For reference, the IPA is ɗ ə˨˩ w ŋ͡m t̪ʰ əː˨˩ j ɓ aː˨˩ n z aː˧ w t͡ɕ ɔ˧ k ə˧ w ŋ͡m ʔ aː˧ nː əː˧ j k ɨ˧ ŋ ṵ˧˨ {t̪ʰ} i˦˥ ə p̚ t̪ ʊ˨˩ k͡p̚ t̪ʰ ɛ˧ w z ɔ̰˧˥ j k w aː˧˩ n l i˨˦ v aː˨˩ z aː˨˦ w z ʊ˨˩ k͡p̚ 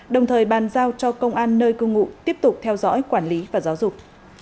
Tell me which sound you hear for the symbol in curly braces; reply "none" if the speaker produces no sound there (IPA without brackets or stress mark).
t̪